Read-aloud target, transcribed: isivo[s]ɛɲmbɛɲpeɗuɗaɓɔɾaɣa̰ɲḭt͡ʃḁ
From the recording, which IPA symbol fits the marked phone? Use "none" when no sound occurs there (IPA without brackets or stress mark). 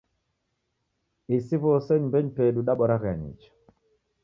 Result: s